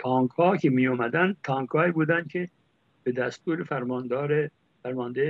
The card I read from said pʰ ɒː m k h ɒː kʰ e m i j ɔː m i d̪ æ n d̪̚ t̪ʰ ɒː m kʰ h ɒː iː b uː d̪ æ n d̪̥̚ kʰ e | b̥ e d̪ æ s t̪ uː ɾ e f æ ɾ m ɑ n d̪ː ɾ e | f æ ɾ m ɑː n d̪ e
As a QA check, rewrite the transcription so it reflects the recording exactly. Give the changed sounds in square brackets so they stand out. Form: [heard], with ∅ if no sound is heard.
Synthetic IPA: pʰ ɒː [ŋ] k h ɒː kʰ e m i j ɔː m [æ] d̪ æ n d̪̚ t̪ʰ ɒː [ŋ] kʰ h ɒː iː b uː d̪ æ n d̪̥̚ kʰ e | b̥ e d̪ æ s t̪ uː ɾ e f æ ɾ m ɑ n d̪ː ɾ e | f æ ɾ m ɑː n d̪ e